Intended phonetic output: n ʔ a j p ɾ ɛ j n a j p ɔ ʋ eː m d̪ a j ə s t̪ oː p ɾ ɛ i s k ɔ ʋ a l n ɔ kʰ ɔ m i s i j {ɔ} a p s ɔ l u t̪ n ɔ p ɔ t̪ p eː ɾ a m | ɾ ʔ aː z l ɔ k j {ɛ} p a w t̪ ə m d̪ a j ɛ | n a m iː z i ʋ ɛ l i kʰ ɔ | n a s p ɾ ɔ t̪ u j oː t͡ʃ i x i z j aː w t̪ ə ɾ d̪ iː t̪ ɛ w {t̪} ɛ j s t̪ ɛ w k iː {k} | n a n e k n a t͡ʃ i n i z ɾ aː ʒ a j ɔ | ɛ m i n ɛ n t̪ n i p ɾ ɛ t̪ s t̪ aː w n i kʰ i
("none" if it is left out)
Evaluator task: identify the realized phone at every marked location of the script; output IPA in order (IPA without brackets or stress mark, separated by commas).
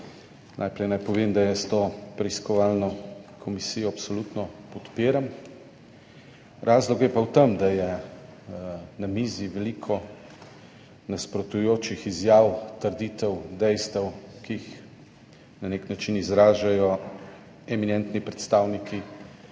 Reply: ɔ, ɛ, d̪, x